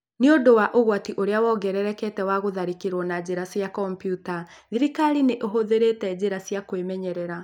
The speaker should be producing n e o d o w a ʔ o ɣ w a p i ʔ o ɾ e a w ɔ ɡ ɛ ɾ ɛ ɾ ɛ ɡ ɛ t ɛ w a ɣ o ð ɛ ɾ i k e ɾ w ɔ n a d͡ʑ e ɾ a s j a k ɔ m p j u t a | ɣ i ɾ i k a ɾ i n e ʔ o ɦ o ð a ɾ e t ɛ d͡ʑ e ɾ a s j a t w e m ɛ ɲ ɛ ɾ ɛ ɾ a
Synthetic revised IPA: n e o d o w a ʔ o ɣ w a t i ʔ o ɾ e a w ɔ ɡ ɛ ɾ ɛ ɾ ɛ k ɛ t ɛ w a ɣ o ð a ɾ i k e ɾ w ɔ n a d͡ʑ e ɾ a s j a k ɔ m p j u t a | ð i ɾ i k a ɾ i n e ʔ o ɦ o ð e ɾ e t ɛ d͡ʑ e ɾ a s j a k w e m ɛ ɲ ɛ ɾ ɛ ɾ a